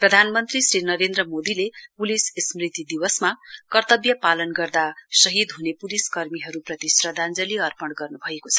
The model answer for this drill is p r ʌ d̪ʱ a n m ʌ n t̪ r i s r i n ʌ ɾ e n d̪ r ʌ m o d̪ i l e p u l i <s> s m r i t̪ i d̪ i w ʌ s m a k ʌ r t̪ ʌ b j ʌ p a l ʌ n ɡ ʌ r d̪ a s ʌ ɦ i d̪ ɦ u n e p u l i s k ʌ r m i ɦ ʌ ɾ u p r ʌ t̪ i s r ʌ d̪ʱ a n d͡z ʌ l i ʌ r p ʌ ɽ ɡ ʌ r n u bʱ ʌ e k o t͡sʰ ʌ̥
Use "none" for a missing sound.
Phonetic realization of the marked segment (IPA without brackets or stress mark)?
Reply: s